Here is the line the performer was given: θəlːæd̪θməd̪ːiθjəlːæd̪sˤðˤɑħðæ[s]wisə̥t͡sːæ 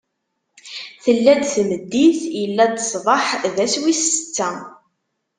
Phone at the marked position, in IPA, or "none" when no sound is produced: s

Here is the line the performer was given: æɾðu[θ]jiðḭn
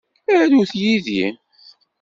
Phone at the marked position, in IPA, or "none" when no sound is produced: θ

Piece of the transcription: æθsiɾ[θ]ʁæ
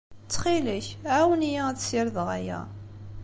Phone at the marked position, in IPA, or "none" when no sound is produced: ð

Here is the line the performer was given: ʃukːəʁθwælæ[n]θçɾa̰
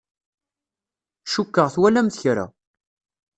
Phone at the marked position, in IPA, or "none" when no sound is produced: m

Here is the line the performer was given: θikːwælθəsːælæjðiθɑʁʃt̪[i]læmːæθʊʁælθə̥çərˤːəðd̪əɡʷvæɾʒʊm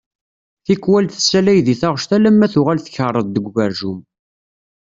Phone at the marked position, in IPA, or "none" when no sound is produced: æ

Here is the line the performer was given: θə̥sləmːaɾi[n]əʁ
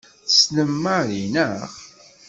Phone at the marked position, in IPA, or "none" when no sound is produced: n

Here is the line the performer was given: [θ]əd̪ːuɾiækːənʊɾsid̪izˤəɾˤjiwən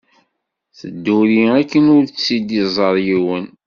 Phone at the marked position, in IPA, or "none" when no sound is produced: θ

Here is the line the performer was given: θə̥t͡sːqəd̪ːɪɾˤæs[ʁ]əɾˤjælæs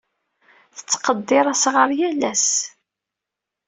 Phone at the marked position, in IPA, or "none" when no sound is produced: ʁ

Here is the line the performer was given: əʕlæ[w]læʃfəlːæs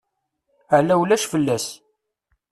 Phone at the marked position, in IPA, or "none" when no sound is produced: w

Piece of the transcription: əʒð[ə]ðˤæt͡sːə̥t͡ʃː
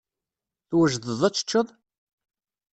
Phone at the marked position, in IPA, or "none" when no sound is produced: ə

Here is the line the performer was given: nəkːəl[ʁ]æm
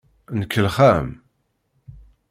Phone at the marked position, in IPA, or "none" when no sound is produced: χ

